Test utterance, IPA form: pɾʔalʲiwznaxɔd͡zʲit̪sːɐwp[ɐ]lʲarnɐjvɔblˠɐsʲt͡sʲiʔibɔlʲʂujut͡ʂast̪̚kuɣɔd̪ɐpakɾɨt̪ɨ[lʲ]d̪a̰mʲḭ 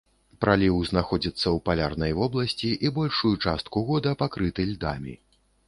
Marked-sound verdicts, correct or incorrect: incorrect: a, correct

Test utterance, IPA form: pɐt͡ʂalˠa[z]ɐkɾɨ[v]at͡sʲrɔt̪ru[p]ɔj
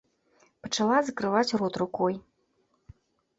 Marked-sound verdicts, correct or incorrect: correct, correct, incorrect: k

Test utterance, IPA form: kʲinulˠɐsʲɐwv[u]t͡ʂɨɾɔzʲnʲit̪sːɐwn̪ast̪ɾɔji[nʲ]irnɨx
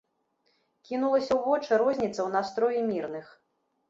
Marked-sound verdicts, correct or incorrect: incorrect: ɔ, incorrect: mʲ

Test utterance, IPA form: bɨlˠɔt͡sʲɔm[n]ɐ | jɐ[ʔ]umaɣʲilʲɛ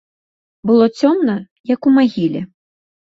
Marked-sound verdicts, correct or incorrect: correct, incorrect: k

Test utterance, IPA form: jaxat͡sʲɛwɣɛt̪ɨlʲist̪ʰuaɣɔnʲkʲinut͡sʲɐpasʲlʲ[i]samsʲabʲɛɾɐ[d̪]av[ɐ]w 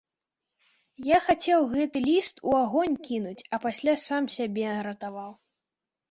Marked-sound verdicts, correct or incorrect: incorrect: a, incorrect: t̪, incorrect: a

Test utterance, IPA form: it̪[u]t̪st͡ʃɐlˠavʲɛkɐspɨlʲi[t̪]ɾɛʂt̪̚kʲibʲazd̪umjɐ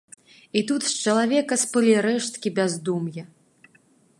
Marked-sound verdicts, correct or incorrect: correct, incorrect: none

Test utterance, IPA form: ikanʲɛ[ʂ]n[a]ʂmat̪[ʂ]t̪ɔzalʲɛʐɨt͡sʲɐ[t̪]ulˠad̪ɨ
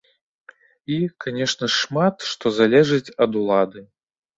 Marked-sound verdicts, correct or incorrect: correct, incorrect: ɐ, correct, incorrect: d̪

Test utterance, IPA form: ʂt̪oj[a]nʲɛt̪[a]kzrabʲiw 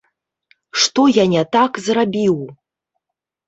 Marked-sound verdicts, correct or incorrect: correct, correct

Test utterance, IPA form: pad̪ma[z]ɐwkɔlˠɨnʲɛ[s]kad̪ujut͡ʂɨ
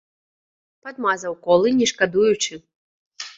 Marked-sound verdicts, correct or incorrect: correct, incorrect: ʂ

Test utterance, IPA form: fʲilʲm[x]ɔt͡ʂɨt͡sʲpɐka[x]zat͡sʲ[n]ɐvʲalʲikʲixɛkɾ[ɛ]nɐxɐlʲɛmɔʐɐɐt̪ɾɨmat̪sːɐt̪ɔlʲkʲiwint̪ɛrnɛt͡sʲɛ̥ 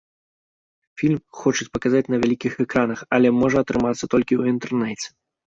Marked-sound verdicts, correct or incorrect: correct, incorrect: none, correct, incorrect: a

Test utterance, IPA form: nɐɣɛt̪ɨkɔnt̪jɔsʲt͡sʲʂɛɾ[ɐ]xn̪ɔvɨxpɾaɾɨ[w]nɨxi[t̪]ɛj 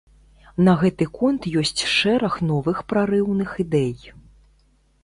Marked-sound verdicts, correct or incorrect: correct, correct, incorrect: d̪

